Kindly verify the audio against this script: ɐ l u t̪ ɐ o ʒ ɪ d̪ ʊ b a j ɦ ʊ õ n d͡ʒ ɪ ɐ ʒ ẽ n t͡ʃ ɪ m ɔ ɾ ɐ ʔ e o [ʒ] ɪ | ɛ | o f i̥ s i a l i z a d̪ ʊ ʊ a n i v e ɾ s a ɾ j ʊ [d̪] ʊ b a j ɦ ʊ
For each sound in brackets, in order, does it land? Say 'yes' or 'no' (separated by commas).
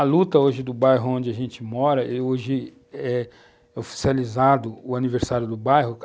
yes, yes